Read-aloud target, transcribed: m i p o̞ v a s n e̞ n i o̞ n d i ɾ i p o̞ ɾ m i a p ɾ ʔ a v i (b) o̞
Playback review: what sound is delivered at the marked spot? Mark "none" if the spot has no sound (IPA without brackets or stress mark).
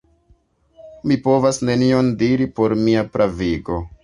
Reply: ɡ